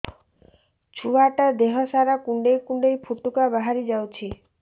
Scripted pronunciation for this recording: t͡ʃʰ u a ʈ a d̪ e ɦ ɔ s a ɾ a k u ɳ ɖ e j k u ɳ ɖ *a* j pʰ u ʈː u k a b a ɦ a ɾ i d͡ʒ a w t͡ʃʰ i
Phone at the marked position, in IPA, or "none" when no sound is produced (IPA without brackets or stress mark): e